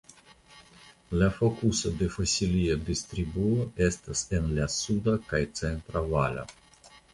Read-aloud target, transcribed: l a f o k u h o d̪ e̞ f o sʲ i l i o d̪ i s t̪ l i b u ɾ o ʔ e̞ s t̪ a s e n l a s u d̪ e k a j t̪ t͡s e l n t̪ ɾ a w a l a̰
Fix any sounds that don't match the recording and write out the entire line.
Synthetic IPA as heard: l a f o k u s o d̪ e̞ f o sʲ i l i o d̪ i s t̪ ɾ i b u o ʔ e̞ s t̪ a s e n l a s u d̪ a k a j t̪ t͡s e n t̪ ɾ a v a l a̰